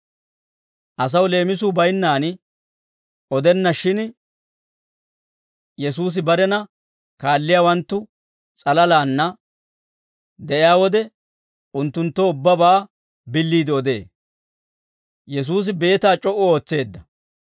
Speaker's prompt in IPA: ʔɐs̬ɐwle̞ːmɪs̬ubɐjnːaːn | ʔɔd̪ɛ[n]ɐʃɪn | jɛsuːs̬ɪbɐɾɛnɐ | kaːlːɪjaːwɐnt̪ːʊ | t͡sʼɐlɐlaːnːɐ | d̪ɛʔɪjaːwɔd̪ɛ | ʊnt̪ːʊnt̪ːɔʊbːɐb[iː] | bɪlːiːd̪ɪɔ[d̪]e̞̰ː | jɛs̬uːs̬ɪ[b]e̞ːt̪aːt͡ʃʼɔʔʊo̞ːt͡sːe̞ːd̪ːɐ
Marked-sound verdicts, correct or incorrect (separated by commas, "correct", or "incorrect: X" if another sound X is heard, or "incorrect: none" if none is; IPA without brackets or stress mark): incorrect: nː, incorrect: aː, correct, correct